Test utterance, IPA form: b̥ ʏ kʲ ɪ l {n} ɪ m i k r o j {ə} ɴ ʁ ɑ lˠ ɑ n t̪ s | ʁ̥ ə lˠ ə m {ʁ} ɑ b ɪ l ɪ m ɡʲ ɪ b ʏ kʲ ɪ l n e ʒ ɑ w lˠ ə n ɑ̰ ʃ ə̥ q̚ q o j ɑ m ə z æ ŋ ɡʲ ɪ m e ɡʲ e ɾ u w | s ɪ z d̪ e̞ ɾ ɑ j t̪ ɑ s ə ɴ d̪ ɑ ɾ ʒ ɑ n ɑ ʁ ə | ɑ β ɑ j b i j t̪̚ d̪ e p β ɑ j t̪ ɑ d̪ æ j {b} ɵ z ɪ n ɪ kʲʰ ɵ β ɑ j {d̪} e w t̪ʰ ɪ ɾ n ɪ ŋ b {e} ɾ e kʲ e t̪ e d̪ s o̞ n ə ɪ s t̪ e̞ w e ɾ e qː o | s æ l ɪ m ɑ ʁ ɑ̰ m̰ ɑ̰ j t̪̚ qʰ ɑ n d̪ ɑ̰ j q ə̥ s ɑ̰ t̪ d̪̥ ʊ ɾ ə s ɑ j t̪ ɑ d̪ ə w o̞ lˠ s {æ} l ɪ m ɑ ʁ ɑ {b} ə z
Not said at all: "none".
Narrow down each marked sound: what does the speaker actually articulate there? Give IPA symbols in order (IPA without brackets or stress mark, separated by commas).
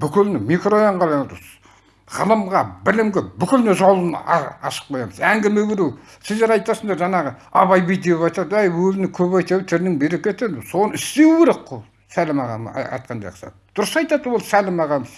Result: n, ɑ, ʁ, w, t̪, e, æ, m